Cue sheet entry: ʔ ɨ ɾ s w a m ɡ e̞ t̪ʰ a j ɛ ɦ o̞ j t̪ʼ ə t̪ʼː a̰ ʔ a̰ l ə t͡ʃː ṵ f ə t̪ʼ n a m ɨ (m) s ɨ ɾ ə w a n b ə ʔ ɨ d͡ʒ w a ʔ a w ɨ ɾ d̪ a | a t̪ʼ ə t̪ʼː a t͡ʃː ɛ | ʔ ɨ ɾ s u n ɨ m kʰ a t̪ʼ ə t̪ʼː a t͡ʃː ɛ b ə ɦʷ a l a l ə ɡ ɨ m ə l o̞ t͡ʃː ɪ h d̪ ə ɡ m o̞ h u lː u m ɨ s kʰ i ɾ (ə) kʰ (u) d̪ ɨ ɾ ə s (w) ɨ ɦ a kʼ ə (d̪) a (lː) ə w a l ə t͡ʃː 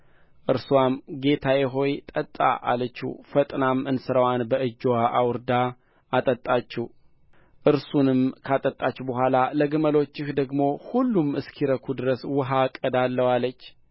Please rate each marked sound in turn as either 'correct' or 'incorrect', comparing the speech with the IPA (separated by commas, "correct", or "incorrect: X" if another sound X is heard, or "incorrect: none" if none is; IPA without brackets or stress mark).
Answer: incorrect: n, correct, correct, correct, correct, correct